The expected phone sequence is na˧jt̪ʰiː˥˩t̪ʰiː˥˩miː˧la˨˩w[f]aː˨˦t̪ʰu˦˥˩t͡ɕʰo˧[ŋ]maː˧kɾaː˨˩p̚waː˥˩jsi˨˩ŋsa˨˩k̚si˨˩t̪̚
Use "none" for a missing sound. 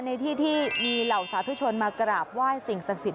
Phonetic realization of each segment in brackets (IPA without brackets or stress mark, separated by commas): s, n